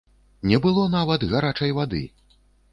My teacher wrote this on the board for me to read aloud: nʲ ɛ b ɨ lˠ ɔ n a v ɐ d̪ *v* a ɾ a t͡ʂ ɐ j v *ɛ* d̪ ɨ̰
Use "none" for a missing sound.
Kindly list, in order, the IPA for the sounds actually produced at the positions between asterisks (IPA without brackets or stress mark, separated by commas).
ɣ, a